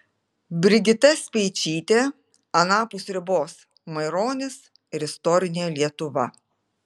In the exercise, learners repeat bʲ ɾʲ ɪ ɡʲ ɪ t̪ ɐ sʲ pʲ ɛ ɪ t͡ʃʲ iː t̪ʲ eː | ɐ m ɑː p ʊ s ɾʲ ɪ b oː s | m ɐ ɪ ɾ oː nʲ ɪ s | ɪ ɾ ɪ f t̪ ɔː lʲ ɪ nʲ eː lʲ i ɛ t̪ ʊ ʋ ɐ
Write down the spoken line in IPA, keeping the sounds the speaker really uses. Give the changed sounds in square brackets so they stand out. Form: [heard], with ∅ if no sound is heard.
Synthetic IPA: bʲ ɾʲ ɪ ɡʲ ɪ t̪ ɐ sʲ pʲ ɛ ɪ t͡ʃʲ iː t̪ʲ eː | ɐ [n] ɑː p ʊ s ɾʲ ɪ b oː s | m ɐ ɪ ɾ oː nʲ ɪ s | ɪ ɾ ɪ [s] t̪ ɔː [ɾʲ] ɪ nʲ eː lʲ i ɛ t̪ ʊ ʋ ɐ